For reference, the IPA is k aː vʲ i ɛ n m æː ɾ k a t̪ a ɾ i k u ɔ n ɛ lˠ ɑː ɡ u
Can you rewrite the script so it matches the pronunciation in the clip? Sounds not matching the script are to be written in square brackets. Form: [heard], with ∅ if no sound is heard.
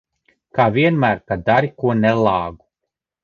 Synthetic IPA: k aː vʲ i ɛ n m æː ɾ k a [d̪] a ɾ i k u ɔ n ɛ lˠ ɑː ɡ u